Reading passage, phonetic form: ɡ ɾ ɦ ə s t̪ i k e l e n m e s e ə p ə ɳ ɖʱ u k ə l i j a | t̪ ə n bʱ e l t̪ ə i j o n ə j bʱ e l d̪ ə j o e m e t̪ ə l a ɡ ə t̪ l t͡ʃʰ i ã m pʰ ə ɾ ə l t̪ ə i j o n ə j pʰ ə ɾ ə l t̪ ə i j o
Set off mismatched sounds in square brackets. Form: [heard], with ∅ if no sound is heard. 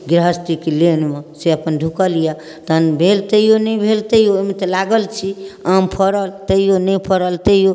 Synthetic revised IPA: ɡ ɾ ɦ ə s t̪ i k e l e n m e s e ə p ə [n] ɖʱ u k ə l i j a | t̪ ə n bʱ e l t̪ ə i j o n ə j bʱ e l [t̪] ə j o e m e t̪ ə l a ɡ ə [∅] l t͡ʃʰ i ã m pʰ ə ɾ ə l t̪ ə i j o n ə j pʰ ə ɾ ə l t̪ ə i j o